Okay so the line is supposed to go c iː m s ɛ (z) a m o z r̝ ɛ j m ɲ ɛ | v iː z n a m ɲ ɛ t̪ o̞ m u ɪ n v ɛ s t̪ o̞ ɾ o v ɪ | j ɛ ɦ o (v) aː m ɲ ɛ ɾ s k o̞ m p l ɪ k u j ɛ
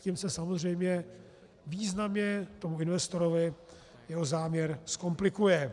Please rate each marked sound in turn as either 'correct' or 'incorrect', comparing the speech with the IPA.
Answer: incorrect, incorrect

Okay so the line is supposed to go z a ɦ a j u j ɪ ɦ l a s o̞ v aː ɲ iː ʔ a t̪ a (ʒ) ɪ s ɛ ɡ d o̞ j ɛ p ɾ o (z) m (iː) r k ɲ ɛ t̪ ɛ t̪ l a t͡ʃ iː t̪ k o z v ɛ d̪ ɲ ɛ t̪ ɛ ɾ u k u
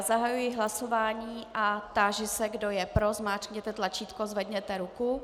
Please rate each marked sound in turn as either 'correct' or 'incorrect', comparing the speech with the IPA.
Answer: correct, correct, incorrect

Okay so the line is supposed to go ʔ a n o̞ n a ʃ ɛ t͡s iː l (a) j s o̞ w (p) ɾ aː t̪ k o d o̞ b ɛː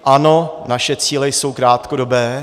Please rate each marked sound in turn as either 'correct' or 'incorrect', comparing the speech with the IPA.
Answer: incorrect, incorrect

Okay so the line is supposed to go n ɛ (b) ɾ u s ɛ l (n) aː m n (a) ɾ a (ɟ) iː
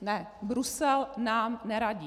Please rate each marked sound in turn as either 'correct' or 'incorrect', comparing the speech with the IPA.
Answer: correct, correct, incorrect, correct

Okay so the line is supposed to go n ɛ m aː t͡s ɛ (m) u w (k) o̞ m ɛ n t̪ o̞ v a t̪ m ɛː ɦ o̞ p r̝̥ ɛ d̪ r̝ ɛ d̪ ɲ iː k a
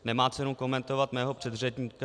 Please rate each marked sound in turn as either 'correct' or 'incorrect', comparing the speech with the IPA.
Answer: incorrect, correct

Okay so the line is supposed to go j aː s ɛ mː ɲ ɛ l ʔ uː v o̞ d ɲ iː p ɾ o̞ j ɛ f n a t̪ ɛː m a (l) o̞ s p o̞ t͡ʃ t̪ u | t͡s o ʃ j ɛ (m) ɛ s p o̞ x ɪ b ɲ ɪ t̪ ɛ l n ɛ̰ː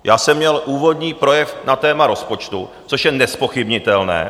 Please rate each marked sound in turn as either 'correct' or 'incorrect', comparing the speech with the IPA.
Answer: incorrect, incorrect

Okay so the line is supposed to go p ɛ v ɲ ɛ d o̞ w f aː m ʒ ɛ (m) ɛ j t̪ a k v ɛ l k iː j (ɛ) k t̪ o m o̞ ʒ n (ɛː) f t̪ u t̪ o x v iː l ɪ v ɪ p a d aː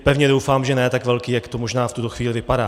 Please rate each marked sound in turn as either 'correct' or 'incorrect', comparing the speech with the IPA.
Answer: incorrect, incorrect, incorrect

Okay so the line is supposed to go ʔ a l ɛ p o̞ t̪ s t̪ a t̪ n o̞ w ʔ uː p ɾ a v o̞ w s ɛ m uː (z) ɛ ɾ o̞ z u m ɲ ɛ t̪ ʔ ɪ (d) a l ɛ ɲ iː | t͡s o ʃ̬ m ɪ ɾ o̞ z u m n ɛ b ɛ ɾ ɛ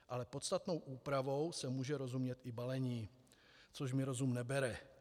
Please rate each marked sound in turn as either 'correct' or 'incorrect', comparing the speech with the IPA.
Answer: incorrect, incorrect

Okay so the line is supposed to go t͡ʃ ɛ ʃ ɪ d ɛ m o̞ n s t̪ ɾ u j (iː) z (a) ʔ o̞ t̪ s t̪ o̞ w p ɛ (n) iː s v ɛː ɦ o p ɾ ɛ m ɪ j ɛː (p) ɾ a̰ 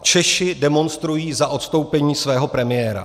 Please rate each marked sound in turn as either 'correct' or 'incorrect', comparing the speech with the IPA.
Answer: correct, correct, incorrect, incorrect

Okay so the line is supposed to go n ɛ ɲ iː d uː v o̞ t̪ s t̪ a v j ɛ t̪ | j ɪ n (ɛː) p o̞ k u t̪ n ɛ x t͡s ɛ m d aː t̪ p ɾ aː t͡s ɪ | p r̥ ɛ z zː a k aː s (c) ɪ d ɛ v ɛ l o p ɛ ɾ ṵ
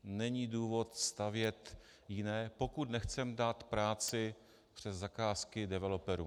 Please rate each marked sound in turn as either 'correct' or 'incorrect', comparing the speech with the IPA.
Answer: correct, incorrect

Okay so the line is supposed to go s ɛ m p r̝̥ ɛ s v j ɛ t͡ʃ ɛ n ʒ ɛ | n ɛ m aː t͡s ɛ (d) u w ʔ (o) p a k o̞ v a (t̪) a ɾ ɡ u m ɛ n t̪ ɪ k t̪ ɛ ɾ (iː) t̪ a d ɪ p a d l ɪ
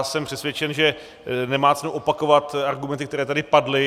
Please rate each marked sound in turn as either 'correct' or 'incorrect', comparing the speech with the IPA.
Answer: incorrect, correct, correct, incorrect

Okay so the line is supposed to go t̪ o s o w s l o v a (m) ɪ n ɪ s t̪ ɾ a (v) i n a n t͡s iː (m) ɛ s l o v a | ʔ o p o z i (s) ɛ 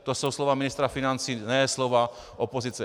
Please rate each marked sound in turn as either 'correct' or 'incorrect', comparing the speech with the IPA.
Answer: correct, incorrect, incorrect, incorrect

